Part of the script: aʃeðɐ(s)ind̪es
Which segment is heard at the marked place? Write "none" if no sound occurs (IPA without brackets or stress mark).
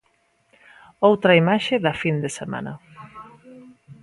f